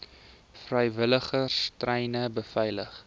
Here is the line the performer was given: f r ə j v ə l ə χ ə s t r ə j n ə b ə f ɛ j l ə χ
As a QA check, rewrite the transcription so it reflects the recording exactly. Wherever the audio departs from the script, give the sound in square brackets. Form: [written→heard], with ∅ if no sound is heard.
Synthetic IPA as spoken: f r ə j v ə l ə χ ə s t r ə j n ə b ə f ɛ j l ə χ